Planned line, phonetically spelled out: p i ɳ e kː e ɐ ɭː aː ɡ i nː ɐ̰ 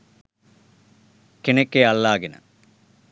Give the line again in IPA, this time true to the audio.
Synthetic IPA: k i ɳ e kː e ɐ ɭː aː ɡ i n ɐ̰

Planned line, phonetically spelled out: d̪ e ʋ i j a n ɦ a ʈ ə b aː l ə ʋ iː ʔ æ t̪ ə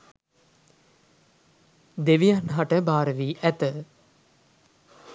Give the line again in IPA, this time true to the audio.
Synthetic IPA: d̪ e ʋ i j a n ɦ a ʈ ə b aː ɾ ə ʋ iː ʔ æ t̪ ə

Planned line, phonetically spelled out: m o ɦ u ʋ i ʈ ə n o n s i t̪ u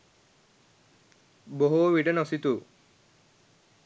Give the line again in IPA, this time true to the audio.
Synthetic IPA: b o ɦ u ʋ i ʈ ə n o s i t̪ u

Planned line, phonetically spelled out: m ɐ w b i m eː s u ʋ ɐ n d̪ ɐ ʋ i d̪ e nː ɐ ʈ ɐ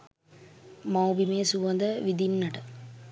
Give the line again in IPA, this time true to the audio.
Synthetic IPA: m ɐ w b i m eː s u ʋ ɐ n d̪ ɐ ʋ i d̪ i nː ɐ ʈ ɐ

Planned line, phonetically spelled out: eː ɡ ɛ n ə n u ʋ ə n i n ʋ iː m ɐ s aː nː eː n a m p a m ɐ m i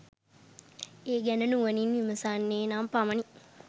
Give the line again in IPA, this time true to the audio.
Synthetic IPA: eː ɡ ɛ n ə n u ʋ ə n i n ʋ i m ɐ s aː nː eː n a m p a m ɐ n i

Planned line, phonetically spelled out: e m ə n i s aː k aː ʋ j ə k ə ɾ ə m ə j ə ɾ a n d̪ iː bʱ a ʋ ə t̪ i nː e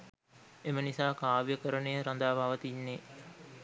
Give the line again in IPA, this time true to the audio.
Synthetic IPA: e m ə n i s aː k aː ʋ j ə k ə ɾ ə n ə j ə ɾ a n d̪ aː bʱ a ʋ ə t̪ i nː e

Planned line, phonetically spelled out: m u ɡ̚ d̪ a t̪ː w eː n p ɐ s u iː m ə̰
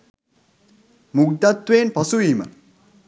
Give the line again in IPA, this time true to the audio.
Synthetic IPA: m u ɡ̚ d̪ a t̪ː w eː n p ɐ s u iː m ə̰

